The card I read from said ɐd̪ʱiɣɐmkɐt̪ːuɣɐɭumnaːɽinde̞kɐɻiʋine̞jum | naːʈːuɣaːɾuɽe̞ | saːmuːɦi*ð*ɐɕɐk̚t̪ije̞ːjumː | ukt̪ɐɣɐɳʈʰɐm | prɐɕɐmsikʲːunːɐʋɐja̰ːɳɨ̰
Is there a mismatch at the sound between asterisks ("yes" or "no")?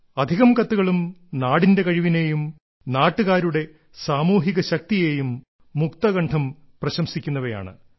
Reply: yes